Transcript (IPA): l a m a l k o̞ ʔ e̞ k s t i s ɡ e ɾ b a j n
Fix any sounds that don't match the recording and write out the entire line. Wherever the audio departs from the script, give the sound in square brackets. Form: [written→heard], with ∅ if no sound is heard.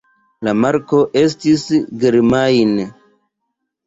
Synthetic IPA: l a m a [l→ɾ] k o̞ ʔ e̞ [k→∅] s t i s ɡ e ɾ [b→m] a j n